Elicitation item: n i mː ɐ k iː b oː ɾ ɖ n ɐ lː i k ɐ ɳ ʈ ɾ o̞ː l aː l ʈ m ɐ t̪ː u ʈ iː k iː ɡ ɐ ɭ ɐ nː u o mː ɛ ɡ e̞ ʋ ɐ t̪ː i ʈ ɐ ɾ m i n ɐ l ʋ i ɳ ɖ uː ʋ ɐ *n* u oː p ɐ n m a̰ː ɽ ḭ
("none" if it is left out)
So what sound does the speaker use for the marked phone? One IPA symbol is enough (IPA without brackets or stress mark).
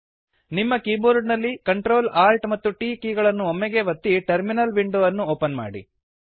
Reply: nː